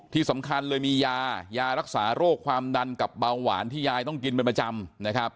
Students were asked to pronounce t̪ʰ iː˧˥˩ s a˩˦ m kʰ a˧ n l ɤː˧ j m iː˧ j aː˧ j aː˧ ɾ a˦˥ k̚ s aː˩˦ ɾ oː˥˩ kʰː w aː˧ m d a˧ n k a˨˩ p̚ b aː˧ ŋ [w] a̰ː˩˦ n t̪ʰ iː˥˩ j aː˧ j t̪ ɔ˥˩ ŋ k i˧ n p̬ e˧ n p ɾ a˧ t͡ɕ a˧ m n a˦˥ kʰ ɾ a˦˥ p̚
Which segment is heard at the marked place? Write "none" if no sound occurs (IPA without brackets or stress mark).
w